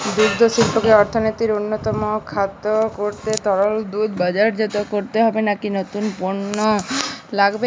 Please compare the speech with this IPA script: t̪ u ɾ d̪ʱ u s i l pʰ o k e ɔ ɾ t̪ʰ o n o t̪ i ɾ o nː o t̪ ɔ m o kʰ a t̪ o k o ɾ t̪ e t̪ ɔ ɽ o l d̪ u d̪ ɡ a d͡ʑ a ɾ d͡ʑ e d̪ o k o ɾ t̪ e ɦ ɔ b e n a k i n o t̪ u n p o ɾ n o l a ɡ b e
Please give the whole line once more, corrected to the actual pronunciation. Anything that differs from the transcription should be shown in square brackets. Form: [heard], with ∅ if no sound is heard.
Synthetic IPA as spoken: [d̪] u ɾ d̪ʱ [o] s i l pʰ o k e ɔ ɾ t̪ʰ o n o t̪ i ɾ o nː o t̪ ɔ m o kʰ a t̪ o k o ɾ t̪ e t̪ ɔ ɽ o l d̪ u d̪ [b] a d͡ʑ a ɾ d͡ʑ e [t̪] o k o ɾ t̪ e ɦ ɔ b e n a k i n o t̪ u n p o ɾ n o l a ɡ b e